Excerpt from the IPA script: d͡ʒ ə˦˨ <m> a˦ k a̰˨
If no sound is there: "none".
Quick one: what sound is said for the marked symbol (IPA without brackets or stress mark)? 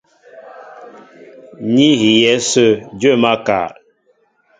m